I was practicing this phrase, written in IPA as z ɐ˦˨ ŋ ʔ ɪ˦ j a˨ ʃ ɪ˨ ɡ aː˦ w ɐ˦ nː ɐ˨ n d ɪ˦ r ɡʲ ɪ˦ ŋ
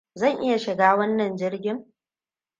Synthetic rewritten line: z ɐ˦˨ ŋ ʔ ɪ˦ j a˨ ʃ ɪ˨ ɡ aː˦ w ɐ˦ nː ɐ˨ n d͡ʒ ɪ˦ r ɡʲ ɪ˦ ŋ